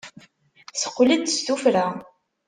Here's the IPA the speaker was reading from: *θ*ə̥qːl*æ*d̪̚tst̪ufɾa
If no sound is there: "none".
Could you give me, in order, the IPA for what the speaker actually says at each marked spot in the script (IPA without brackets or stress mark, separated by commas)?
s, i